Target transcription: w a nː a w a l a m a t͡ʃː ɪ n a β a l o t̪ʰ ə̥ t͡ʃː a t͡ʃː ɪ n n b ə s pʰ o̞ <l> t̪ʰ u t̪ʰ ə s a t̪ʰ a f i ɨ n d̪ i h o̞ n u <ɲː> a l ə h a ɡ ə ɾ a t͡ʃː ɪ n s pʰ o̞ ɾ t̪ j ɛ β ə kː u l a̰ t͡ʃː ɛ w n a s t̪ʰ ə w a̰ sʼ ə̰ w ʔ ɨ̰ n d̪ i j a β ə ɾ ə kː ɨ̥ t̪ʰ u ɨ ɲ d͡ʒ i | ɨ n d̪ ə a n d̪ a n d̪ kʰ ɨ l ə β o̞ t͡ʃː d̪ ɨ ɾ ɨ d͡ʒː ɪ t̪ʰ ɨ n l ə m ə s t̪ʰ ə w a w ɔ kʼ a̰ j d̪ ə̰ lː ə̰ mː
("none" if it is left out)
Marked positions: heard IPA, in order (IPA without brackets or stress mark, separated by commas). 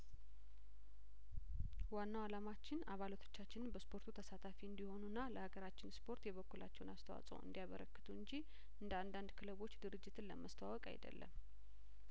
ɾ, nː